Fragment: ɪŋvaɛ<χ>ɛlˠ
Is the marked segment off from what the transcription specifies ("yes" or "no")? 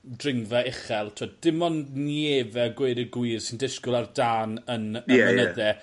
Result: no